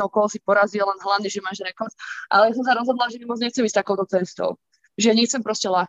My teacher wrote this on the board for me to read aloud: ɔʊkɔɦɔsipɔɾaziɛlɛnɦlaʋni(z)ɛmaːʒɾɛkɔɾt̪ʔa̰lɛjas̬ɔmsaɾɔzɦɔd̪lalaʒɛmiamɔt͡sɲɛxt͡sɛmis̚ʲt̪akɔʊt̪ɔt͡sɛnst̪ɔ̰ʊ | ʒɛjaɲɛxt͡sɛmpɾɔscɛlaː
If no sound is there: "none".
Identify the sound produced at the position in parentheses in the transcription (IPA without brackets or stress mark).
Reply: ʒ